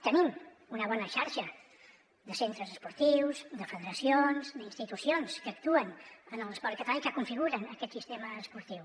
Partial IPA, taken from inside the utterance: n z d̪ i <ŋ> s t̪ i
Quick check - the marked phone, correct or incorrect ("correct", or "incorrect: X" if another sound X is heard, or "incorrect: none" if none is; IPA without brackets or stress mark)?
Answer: incorrect: n